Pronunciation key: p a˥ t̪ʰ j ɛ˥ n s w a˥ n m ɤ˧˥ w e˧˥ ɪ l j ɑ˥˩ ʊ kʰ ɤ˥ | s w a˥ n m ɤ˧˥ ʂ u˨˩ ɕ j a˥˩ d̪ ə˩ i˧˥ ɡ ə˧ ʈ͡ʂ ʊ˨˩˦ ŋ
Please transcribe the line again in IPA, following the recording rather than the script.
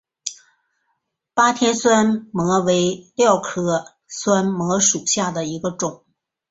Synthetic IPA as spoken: p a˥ t̪ʰ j ɛ˥ n s w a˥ n m ɤ˧˥ w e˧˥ ɪ l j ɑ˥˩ ʊ kʰ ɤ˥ | s w a˥ n m ɤ˧˥ ʂ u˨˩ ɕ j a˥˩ d̪ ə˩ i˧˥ ɡ ə˧ ʈ͡ʂ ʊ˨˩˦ ŋ

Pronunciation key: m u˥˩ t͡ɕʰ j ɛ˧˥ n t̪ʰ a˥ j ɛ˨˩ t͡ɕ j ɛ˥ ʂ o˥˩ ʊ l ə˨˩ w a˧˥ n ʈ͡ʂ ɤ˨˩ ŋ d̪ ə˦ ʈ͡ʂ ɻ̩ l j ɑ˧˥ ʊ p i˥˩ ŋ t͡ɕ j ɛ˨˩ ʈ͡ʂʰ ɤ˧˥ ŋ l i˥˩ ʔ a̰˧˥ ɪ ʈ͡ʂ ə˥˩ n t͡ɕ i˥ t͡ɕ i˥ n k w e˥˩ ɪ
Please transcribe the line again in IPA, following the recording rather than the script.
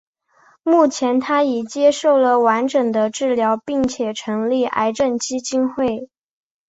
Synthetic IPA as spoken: m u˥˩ t͡ɕʰ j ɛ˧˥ n t̪ʰ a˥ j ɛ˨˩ t͡ɕ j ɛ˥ ʂ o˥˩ ʊ l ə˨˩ w a˧˥ n ʈ͡ʂ ɤ˨˩ ŋ d̪ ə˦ ʈ͡ʂ ɻ̩ l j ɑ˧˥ ʊ p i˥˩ ŋ t͡ɕʰ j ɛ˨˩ ʈ͡ʂʰ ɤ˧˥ ŋ l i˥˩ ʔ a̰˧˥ ɪ ʈ͡ʂ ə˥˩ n t͡ɕ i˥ t͡ɕ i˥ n x w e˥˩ ɪ

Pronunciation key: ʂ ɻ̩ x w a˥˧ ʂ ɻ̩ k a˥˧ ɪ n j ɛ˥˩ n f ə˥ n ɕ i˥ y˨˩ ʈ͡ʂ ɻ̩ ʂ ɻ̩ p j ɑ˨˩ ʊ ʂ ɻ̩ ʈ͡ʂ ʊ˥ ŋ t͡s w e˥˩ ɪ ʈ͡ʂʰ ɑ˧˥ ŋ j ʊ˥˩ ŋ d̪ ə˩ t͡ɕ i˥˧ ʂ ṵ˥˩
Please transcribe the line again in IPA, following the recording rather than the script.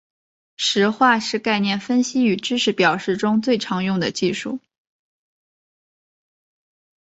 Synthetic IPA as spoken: ʂ ɻ̩ x w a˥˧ ʂ ɻ̩ k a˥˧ ɪ n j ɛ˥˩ n f ə˥ n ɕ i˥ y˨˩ ʈ͡ʂ ɻ̩ ʂ ɻ̩ p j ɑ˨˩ ʊ ʂ ɻ̩ ʈ͡ʂ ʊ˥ ŋ t͡s w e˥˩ ɪ ʈ͡ʂʰ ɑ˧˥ ŋ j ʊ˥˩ ŋ d̪ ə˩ t͡ɕ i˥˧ ʂ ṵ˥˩

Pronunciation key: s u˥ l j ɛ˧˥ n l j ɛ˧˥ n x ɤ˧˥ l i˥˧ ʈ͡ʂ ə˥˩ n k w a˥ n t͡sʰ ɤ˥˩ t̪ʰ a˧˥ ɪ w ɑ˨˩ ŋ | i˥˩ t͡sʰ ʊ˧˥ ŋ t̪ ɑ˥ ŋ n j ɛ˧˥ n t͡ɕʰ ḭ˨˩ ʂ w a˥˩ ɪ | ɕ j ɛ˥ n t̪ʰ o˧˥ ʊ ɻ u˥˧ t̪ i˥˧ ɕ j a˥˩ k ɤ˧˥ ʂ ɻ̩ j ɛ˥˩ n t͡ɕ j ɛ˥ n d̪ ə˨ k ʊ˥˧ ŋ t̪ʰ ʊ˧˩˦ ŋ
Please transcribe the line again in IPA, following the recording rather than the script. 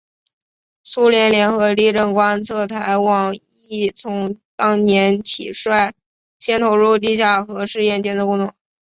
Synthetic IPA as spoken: s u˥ l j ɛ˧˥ n l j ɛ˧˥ n x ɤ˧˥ l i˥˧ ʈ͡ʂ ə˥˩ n k w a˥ n t͡sʰ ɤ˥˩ t̪ʰ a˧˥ ɪ w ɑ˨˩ ŋ | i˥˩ t͡sʰ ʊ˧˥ ŋ t̪ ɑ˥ ŋ n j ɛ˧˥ n t͡ɕʰ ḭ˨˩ ʂ w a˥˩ ɪ | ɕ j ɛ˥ n t̪ʰ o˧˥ ʊ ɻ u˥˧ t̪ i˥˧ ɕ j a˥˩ x ɤ˧˥ ʂ ɻ̩ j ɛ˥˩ n t͡ɕ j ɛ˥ n d̪ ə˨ k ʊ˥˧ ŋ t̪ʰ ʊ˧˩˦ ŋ

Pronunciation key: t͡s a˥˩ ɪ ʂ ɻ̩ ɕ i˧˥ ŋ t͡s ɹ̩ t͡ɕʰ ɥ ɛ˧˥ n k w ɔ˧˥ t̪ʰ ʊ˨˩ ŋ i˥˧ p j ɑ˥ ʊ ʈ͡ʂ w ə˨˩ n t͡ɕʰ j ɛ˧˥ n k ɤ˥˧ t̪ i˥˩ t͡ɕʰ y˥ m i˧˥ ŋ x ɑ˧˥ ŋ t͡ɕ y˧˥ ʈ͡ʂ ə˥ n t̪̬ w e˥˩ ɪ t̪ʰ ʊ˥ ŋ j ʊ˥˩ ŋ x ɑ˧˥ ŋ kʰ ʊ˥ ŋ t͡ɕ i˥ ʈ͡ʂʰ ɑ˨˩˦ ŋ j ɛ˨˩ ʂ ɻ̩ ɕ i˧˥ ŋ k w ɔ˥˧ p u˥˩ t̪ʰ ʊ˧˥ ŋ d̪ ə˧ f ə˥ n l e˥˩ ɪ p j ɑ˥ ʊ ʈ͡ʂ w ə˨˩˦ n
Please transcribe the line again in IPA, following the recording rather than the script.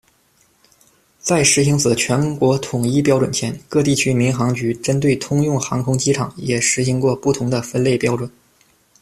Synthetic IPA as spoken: t͡s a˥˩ ɪ ʂ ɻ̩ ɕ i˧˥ ŋ t͡s ɹ̩ t͡ɕʰ ɥ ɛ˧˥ n k w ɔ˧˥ t̪ʰ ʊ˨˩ ŋ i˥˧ p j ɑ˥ ʊ ʈ͡ʂ w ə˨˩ n t͡ɕʰ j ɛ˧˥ n k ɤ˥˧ t̪ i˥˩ t͡ɕʰ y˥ m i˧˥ ŋ x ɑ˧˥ ŋ t͡ɕ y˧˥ ʈ͡ʂ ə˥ n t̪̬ w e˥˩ ɪ t̪ʰ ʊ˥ ŋ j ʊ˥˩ ŋ x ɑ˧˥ ŋ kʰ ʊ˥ ŋ t͡ɕ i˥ ʈ͡ʂʰ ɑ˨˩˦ ŋ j ɛ˨˩ ʂ ɻ̩ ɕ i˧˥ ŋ k w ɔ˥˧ p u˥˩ t̪ʰ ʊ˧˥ ŋ d̪ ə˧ f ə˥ n l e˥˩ ɪ p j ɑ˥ ʊ ʈ͡ʂ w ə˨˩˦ n

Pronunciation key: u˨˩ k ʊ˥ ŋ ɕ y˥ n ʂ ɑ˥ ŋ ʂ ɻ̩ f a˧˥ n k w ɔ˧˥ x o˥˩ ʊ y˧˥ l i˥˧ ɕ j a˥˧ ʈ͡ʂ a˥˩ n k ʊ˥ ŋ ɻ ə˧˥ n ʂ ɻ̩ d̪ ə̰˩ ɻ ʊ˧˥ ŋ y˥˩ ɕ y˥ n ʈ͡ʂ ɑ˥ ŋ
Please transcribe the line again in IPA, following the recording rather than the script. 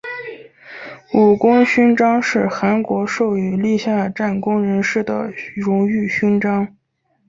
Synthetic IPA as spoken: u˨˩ k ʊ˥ ŋ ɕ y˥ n ʈ͡ʂ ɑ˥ ŋ ʂ ɻ̩ x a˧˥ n k w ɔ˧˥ ʂ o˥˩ ʊ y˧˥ l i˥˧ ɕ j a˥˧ ʈ͡ʂ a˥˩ n k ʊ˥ ŋ ɻ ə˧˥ n ʂ ɻ̩ d̪ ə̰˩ ɻ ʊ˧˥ ŋ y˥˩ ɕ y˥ n ʈ͡ʂ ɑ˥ ŋ

